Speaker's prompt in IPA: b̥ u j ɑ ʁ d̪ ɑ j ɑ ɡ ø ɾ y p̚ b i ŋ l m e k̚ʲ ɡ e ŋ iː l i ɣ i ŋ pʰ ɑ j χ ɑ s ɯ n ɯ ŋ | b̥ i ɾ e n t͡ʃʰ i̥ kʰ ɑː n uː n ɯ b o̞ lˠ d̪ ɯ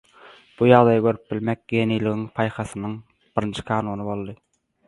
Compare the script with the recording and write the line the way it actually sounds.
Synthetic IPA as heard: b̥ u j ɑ ʁ d̪ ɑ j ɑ ɡ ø ɾ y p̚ b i l m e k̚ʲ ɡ e n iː l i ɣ i ŋ pʰ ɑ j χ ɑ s ɯ n ɯ ŋ | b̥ i ɾ i n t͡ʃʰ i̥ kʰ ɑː n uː n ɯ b o̞ lˠ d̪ ɯ